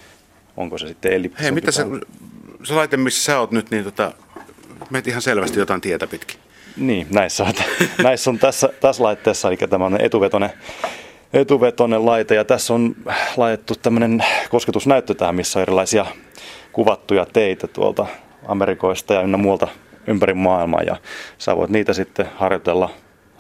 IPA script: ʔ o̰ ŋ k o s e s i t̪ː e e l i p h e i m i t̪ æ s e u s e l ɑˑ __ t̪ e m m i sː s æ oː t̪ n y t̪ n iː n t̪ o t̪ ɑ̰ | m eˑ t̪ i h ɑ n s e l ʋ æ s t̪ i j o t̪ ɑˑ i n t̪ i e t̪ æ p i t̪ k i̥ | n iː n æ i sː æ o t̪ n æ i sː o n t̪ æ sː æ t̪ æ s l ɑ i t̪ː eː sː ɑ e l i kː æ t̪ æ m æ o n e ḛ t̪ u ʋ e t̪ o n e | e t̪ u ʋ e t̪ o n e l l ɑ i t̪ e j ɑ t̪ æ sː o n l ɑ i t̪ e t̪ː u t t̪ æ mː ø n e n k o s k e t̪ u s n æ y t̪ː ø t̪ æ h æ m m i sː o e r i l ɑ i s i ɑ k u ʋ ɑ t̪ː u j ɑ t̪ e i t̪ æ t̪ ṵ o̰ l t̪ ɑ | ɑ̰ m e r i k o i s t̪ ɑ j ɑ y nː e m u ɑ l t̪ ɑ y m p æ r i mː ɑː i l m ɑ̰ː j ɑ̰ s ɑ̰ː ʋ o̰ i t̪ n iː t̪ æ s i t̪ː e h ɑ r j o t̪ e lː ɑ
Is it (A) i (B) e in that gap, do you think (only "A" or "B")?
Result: A